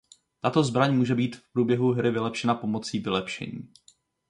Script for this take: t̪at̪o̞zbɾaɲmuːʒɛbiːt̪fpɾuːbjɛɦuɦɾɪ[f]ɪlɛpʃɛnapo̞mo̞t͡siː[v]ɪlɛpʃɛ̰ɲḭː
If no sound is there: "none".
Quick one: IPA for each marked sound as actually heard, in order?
v, v

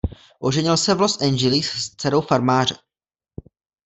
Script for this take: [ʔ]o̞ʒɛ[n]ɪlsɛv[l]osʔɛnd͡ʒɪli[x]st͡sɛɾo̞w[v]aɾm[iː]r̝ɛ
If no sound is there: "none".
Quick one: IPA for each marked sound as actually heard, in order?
ʔ, ɲ, l, s, f, aː

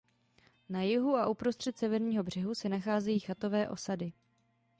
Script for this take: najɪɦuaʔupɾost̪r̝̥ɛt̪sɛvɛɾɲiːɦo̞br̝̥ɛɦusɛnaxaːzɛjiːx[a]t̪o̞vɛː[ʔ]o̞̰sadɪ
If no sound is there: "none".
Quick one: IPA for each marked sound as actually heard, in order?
a, ʔ

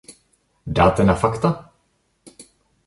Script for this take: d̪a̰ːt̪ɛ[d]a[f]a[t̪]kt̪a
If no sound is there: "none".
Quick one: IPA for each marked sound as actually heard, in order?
n, f, none

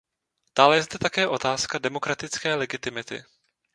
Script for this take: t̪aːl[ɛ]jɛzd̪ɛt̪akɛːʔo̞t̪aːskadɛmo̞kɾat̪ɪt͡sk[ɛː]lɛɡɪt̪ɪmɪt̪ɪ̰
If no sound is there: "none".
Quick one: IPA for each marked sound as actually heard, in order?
ɛ, ɛː

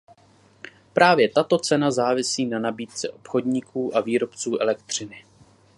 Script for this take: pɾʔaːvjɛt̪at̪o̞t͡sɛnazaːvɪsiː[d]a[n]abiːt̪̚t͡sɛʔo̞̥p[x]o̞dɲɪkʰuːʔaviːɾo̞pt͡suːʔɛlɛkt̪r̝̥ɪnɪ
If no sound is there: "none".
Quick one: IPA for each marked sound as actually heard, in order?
n, n, x

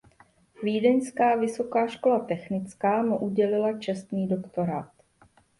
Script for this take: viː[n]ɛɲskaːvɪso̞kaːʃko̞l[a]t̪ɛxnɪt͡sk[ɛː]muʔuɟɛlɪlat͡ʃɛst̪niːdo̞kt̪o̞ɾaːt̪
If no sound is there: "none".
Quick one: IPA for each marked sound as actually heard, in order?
d, a, aː

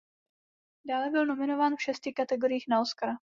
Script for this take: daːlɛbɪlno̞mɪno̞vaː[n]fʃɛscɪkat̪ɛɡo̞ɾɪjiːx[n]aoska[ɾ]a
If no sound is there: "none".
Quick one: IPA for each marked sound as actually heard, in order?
n, n, ɾ

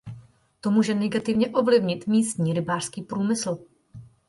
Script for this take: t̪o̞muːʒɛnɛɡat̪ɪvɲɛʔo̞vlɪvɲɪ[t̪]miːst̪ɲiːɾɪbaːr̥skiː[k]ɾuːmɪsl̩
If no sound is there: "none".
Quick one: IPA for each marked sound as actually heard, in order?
t̪, p

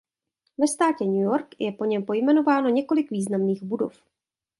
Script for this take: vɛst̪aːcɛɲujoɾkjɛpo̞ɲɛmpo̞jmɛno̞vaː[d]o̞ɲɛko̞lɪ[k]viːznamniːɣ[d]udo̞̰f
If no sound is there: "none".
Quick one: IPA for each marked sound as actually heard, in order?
n, k, b

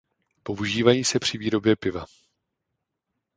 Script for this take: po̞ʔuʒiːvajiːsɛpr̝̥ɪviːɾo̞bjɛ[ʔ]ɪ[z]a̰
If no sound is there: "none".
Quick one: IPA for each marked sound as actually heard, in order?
p, v

